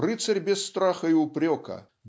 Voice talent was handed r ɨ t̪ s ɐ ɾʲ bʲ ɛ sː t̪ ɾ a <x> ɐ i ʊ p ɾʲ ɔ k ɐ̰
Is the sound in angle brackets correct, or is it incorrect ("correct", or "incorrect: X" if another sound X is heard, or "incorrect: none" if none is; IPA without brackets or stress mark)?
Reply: correct